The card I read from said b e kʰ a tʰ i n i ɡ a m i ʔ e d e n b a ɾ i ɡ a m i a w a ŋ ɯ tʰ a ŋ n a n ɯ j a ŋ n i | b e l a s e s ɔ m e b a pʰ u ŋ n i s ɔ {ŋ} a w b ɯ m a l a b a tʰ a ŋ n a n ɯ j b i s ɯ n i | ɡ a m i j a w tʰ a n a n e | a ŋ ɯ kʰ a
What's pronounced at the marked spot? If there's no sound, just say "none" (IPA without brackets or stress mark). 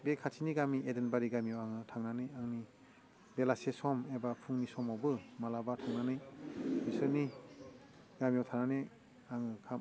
m